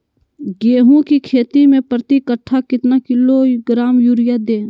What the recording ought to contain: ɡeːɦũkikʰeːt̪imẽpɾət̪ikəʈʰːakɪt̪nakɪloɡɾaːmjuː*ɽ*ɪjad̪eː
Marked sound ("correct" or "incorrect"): incorrect